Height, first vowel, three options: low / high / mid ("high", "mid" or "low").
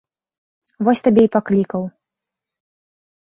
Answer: mid